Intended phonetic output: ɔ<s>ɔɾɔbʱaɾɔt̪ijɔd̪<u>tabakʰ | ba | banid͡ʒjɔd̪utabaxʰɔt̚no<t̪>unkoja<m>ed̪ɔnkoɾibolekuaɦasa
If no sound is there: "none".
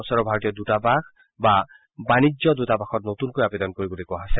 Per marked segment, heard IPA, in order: s, u, t̪, b

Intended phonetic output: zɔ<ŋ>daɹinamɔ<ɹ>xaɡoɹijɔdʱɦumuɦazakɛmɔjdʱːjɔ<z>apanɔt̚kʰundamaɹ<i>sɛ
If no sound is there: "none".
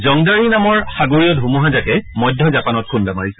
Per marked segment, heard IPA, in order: ŋ, ɹ, z, i

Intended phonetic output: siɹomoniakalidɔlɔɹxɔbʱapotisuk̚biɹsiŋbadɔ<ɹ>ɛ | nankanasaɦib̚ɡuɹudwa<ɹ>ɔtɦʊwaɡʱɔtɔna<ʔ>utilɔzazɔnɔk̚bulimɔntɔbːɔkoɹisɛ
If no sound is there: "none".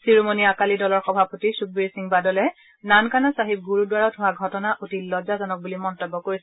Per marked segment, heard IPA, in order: l, ɹ, ʔ

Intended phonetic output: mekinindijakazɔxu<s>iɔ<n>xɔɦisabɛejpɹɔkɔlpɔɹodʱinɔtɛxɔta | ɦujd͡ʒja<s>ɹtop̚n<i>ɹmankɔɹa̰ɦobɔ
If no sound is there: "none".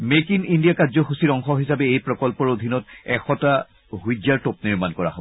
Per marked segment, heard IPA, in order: s, ŋ, none, i

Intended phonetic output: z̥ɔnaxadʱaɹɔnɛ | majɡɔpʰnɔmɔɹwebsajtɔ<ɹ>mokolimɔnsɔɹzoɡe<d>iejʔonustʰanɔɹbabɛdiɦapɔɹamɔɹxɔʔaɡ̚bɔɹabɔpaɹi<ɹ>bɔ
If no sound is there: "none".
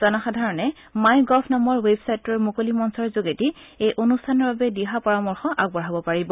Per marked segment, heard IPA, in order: ɹ, t, none

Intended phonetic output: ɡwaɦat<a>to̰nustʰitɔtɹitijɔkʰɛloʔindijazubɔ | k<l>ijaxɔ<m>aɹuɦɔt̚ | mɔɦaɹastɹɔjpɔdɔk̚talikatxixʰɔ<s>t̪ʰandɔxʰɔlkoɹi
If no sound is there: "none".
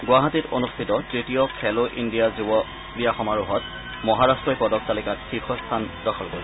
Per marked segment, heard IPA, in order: i, ɹ, m, s

